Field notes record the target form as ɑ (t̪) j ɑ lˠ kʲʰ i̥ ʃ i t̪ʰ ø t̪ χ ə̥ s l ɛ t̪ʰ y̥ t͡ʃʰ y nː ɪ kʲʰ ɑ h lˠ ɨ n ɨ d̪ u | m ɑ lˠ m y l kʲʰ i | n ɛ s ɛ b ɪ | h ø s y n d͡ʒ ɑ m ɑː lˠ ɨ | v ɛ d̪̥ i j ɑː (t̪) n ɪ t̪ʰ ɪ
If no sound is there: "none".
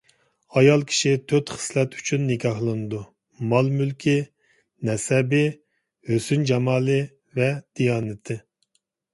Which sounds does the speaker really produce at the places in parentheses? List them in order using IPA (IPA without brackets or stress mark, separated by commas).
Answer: none, none